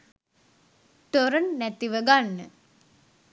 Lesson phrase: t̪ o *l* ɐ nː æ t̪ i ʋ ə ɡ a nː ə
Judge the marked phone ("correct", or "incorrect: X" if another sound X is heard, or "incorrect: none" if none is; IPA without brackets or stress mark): incorrect: ɾ